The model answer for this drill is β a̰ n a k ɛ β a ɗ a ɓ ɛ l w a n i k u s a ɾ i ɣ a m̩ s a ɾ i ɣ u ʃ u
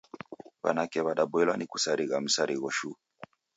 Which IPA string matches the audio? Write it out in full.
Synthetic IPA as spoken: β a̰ n a k ɛ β a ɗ a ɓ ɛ l w a n i k u s a ɾ i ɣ a m̩ s a ɾ i ɣ ɔ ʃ u